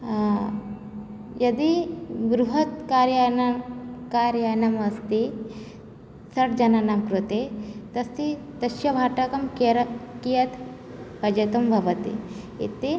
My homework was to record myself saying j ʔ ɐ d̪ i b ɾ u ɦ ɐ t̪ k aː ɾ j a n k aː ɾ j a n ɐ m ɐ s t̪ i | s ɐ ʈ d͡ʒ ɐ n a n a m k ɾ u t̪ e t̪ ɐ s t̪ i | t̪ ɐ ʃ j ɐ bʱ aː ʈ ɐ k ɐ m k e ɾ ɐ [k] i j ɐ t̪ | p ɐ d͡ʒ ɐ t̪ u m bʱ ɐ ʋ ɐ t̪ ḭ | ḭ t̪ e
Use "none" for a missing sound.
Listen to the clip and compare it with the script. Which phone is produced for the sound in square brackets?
k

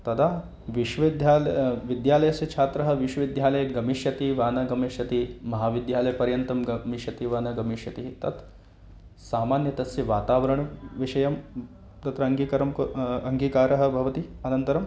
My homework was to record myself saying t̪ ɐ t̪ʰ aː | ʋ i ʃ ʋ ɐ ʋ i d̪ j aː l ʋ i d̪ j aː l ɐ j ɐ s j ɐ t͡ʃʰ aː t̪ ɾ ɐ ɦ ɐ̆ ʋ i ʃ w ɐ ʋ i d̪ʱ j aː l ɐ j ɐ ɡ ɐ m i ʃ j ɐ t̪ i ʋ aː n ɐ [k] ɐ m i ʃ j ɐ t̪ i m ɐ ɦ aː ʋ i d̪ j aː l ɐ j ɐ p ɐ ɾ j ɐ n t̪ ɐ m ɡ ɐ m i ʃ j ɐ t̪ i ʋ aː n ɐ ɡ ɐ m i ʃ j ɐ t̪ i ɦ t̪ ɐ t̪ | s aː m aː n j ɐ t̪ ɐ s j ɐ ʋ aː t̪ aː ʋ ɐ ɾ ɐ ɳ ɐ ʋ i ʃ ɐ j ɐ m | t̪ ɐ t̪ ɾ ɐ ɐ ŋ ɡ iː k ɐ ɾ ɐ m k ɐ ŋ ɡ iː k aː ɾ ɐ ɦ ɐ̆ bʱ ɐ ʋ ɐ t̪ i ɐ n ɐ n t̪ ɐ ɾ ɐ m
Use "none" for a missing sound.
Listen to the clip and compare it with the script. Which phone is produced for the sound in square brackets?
ɡ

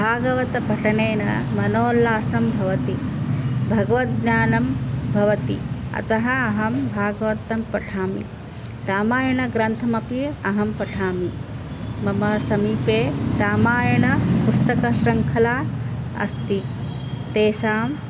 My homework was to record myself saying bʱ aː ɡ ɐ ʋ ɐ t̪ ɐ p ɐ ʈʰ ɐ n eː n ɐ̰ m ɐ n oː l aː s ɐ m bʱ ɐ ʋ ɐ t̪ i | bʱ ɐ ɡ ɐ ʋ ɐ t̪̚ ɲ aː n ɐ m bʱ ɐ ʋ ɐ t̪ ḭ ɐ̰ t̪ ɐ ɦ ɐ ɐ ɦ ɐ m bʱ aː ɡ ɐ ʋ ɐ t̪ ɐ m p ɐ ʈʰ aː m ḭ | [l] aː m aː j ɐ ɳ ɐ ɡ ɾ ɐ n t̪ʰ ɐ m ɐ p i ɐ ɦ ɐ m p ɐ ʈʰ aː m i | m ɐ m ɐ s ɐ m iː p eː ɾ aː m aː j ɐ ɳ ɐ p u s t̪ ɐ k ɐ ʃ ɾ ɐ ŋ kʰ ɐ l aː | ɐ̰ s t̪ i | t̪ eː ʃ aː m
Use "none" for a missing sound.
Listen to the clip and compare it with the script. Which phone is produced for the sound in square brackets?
ɾ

